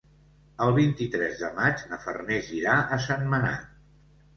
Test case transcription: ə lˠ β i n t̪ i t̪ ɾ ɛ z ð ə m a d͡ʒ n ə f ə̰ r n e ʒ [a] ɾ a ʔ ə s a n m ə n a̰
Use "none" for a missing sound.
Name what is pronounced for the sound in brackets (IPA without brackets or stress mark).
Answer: i